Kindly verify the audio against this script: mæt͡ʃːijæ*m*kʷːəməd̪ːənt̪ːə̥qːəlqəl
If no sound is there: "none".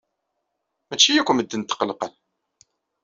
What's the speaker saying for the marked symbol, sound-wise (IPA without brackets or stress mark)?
none